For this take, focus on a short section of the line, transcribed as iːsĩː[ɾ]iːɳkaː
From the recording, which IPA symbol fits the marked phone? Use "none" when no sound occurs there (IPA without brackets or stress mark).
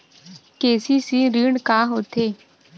ɾ